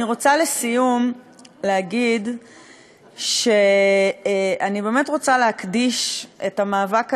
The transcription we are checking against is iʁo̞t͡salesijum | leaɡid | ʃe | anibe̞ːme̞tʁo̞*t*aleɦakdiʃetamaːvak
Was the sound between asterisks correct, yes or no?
no